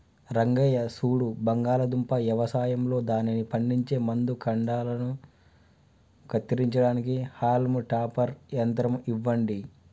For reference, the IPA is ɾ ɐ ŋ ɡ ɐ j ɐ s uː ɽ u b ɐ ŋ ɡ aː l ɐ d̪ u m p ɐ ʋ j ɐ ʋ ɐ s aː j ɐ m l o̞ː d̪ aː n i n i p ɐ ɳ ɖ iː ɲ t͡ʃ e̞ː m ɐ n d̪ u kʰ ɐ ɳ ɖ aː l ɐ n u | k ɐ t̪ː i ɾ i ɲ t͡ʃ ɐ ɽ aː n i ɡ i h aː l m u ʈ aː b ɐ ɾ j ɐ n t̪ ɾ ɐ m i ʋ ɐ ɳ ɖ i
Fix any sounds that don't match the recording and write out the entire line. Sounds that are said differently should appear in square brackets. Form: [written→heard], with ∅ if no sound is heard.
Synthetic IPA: ɾ ɐ ŋ ɡ ɐ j ɐ s uː ɽ u b ɐ ŋ ɡ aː l ɐ d̪ u m p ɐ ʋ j ɐ ʋ ɐ s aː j ɐ m l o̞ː d̪ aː n i n i p ɐ ɳ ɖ [iː→i] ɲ t͡ʃ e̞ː m ɐ n d̪ u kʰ ɐ ɳ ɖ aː l ɐ n u | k ɐ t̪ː i ɾ i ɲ t͡ʃ ɐ ɽ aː n i [ɡ→k] i h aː l m u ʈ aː [b→p] ɐ ɾ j ɐ n t̪ ɾ ɐ m i [ʋ→ʋː] ɐ ɳ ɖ i